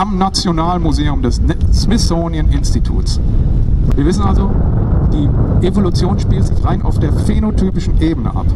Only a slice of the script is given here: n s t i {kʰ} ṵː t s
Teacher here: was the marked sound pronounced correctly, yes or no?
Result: no